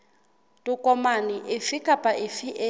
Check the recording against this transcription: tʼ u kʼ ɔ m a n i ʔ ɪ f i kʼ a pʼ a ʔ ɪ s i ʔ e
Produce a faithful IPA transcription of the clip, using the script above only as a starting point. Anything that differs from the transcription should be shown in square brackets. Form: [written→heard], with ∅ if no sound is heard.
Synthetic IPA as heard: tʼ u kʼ ɔ m a n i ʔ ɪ f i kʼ a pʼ a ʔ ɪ [s→f] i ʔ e